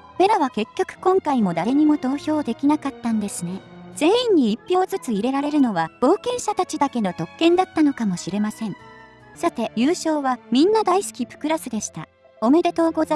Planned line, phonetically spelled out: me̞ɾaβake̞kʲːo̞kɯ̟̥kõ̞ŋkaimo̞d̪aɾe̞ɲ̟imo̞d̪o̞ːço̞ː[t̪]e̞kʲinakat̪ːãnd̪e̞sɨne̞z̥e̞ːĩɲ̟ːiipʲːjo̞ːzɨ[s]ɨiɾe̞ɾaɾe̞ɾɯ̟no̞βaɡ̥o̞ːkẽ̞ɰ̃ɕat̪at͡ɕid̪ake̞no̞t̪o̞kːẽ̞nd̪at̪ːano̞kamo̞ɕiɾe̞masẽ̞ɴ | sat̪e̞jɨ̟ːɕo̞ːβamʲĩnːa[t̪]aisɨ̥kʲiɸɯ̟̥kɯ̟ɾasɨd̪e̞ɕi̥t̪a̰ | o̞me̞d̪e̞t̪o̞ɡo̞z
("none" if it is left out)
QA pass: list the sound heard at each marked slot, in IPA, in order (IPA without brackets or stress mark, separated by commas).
d̪, t͡s, d̪